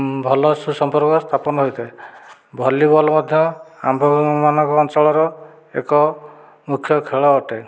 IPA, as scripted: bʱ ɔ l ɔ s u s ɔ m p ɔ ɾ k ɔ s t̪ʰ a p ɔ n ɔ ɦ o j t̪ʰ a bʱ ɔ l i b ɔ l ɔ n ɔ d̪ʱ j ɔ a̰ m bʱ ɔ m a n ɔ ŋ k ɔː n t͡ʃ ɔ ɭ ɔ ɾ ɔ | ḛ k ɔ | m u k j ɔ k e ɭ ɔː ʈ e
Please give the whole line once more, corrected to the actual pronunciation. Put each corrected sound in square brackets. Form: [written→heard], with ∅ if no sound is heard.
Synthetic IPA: bʱ ɔ l ɔ s u s ɔ m p ɔ ɾ k ɔ s t̪ʰ a p ɔ n ɔ ɦ o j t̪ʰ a bʱ ɔ l i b ɔ l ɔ [n→m] ɔ d̪ʱ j ɔ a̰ m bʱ ɔ m a n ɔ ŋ k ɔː n t͡ʃ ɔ ɭ ɔ ɾ ɔ | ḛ k ɔ | m u [k→kʰ] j ɔ [k→kʰ] e ɭ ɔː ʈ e